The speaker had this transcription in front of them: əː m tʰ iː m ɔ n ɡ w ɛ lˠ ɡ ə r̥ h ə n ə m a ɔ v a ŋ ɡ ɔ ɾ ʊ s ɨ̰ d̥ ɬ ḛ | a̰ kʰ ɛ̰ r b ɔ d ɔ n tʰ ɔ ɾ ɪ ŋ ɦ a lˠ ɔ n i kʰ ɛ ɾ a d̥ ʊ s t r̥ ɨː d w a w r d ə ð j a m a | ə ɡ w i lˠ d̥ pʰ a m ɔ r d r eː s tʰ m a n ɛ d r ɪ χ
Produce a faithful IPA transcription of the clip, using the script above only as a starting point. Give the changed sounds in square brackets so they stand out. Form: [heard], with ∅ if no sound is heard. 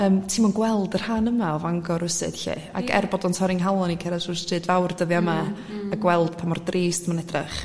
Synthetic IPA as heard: əː m tʰ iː m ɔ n ɡ w ɛ lˠ [d] ə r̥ h [a] n ə m a ɔ v a ŋ ɡ ɔ ɾ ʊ s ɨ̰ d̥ ɬ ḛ | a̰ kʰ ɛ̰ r b ɔ d ɔ n tʰ ɔ ɾ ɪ ŋ ɦ a lˠ ɔ n i kʰ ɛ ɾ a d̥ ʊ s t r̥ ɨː d [v] a w r d ə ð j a m a | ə ɡ w [ɛ] lˠ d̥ pʰ a m ɔ r d r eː s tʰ m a n ɛ d r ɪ χ